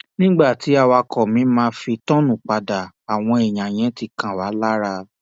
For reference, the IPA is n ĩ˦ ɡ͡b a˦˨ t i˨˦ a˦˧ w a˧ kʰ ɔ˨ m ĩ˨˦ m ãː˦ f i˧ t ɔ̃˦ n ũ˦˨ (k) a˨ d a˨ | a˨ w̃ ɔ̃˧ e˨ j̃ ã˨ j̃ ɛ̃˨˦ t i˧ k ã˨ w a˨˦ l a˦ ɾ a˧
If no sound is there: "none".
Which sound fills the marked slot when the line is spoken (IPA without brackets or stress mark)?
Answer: k͡p